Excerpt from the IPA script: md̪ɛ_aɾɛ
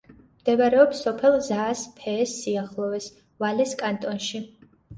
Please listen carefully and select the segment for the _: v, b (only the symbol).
v